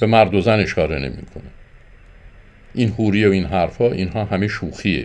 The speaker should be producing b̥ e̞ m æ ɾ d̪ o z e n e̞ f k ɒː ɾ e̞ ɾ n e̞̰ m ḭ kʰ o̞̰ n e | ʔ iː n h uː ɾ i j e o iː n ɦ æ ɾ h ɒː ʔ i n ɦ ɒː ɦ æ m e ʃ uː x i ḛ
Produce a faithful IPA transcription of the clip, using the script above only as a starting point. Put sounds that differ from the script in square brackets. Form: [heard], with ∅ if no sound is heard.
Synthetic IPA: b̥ e̞ m æ ɾ d̪ o z [æ] n e̞ [ʃ] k ɒː ɾ e̞ [∅] n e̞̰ m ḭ kʰ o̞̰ n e | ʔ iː n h uː ɾ i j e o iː n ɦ æ ɾ [f] ɒː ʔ i n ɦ ɒː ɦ æ m e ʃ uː x i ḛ